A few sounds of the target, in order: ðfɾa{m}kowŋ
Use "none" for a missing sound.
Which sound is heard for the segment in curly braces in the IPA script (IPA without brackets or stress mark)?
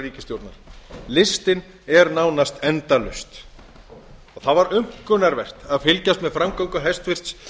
m